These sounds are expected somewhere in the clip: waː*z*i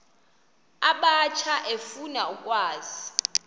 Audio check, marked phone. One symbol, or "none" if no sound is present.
z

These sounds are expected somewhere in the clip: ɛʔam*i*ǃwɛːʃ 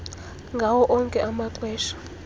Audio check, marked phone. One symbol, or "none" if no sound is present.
a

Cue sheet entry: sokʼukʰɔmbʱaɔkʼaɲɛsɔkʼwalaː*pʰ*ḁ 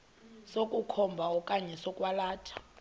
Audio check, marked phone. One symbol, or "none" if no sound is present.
tʰ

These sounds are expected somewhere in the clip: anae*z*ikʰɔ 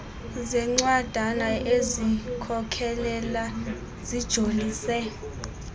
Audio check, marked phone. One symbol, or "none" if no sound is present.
z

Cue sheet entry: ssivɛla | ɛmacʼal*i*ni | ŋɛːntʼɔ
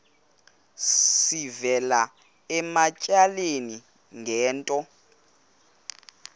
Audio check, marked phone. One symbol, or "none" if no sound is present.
e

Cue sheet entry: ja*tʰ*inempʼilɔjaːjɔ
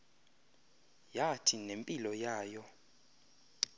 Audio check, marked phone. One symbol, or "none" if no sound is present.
tʰ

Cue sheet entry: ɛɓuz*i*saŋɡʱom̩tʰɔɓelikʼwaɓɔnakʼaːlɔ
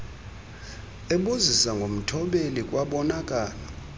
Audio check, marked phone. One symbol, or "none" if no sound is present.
i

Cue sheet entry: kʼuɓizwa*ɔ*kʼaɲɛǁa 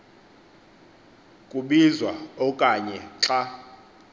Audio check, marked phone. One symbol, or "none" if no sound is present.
ɔ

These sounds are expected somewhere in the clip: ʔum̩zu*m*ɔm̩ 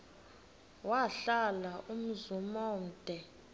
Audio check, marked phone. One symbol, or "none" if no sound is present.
m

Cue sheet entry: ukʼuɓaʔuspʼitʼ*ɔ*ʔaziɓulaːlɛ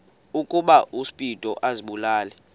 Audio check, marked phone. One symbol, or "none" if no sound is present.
ɔ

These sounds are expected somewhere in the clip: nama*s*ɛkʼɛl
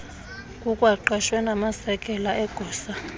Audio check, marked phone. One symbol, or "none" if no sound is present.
s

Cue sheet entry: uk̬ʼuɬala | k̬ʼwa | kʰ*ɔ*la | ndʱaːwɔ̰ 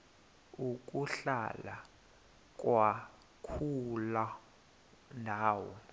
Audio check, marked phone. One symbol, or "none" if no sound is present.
u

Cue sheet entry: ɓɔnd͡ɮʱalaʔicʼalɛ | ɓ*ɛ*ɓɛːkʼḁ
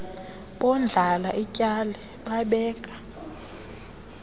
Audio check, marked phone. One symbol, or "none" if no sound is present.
a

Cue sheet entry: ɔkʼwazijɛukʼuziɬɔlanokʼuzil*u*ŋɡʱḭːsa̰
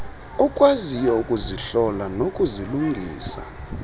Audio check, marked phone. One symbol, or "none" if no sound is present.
u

